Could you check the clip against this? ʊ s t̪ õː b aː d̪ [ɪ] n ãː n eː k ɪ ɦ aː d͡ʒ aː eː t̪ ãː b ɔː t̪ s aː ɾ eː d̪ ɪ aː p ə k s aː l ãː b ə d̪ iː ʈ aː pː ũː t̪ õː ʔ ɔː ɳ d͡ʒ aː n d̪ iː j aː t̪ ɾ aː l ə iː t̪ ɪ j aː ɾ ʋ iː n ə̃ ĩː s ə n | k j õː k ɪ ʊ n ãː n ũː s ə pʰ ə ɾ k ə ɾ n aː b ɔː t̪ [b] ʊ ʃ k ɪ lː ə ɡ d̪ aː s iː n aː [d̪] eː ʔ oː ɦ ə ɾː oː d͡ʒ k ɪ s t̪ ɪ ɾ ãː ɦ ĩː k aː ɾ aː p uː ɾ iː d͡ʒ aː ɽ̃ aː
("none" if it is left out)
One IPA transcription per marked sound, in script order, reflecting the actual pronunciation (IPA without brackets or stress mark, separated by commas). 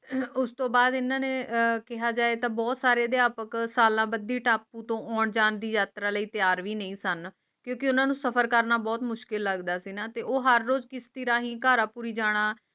ɪ, m, t̪